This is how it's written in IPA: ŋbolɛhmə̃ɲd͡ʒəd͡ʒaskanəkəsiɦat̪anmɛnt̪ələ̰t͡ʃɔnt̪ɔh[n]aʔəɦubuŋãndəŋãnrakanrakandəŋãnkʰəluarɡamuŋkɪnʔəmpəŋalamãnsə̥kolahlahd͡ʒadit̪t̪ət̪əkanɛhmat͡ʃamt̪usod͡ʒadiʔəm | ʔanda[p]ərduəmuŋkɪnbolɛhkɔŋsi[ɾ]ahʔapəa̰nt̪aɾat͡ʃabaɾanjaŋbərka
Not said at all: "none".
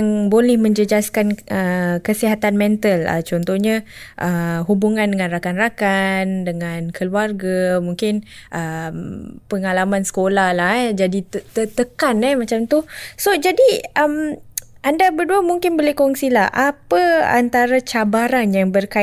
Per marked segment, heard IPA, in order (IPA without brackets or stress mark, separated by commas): ɲ, b, l